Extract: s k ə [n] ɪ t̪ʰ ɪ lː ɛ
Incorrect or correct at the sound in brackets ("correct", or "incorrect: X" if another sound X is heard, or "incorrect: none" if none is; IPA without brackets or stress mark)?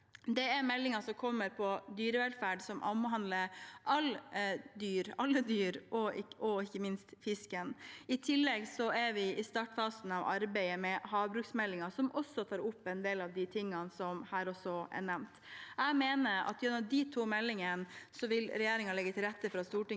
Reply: correct